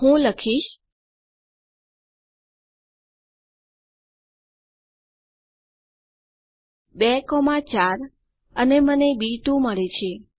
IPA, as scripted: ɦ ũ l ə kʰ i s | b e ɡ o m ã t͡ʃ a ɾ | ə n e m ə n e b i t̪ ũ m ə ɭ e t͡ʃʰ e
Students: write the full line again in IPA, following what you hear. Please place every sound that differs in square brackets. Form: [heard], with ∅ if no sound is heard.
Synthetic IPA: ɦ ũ l ə kʰ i [ʃ] | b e [k] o m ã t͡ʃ a ɾ | ə n e m ə n e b i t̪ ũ m ə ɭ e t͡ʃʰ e